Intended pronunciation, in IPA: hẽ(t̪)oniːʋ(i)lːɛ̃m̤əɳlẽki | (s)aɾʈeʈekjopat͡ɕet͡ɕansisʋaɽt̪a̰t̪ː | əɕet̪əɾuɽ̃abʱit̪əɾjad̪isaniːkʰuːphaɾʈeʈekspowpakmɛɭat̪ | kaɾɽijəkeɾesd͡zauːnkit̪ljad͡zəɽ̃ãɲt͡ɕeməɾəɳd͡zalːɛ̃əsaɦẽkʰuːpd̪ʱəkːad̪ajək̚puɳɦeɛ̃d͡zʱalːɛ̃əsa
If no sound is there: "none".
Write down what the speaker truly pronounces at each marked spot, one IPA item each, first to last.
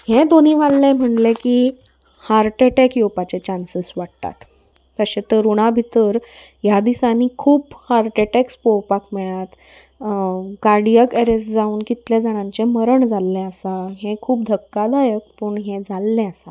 d̪, a, h

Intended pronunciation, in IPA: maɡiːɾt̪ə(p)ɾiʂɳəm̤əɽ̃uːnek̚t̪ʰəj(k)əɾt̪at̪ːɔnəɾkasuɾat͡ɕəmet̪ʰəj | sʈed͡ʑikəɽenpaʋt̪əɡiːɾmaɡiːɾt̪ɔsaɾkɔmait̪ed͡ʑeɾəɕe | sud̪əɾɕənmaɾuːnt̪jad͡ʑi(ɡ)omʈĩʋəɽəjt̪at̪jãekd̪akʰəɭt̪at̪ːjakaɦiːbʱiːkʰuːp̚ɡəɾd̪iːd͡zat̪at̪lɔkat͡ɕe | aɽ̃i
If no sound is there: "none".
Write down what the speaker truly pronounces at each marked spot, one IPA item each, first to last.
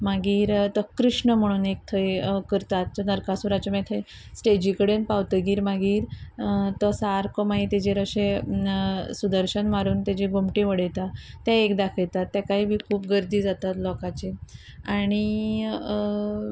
k, k, ɡ

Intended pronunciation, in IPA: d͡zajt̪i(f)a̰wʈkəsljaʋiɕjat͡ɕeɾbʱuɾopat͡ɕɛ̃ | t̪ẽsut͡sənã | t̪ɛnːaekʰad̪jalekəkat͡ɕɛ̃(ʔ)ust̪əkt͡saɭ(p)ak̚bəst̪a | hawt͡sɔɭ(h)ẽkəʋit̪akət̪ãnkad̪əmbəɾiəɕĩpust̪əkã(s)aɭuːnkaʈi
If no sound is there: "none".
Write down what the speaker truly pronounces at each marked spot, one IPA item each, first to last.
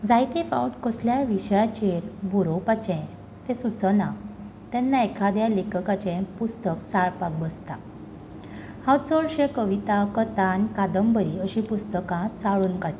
f, p, p, ɕ, t͡s

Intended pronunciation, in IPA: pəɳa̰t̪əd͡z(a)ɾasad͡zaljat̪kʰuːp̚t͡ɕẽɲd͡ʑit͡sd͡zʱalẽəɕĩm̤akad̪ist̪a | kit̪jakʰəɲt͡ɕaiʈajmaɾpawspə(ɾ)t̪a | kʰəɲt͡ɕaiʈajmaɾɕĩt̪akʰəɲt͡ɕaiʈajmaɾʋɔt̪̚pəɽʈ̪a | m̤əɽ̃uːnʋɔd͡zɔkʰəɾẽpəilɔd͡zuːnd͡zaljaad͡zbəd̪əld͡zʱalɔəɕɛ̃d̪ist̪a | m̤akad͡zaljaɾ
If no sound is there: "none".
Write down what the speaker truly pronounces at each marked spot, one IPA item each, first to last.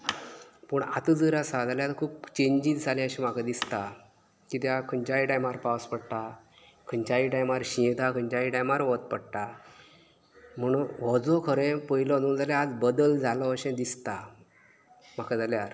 ə, ɽ

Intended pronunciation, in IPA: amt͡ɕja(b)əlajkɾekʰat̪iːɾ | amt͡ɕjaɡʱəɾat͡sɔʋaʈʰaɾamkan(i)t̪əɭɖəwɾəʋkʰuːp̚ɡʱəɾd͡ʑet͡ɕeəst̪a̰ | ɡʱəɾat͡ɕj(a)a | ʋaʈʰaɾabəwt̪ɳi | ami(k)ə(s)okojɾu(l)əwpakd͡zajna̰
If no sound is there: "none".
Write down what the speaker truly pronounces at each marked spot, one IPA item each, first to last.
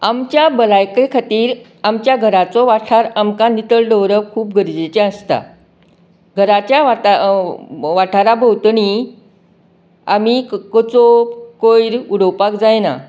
b, i, a, k, t͡s, ɽ

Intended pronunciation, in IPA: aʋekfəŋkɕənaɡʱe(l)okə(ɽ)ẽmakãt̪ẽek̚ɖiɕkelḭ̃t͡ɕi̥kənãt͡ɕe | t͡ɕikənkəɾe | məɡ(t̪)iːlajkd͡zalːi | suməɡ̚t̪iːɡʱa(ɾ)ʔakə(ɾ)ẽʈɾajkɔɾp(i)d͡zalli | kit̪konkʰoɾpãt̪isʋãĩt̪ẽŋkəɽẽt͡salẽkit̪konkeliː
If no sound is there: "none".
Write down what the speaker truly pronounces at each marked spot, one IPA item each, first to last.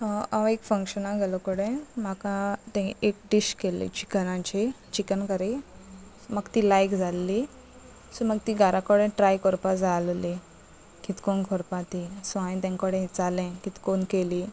l, ɽ, t̪, ɾ, ɽ, a

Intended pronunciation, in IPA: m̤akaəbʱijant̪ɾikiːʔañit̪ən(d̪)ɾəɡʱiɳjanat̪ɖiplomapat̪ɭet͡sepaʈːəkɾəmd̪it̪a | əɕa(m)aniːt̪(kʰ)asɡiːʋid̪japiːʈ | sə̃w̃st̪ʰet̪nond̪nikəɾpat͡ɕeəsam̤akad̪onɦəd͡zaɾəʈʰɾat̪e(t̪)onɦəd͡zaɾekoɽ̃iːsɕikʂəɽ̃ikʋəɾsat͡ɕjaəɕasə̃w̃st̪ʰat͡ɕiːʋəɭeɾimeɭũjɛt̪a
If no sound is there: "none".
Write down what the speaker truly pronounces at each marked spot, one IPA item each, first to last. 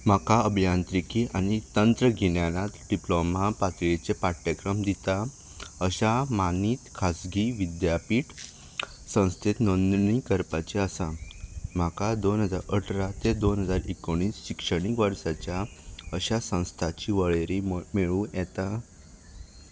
t̪, m, kʰ, d̪

